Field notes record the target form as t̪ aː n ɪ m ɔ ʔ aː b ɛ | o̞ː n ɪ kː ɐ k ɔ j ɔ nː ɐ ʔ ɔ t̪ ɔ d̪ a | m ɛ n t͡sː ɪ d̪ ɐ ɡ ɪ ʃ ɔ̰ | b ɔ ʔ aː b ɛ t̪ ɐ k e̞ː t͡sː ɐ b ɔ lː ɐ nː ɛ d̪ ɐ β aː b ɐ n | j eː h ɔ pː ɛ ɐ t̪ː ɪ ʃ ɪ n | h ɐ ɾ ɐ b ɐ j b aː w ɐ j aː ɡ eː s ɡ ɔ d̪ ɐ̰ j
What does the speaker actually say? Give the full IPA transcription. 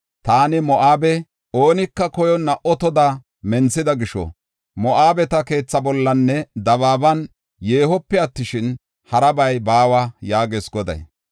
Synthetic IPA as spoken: t̪ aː n ɪ m ɔ ʔ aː b ɛ | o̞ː n ɪ kː ɐ k ɔ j ɔ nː ɐ ʔ ɔ t̪ ɔ d̪ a | m ɛ n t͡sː ɪ d̪ ɐ ɡ ɪ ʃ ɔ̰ | m ɔ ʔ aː b ɛ t̪ ɐ k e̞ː t͡sː ɐ b ɔ lː ɐ nː ɛ d̪ ɐ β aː b ɐ n | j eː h ɔ pː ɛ ɐ t̪ː ɪ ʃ ɪ n | h ɐ ɾ ɐ b ɐ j b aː w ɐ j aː ɡ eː s ɡ ɔ d̪ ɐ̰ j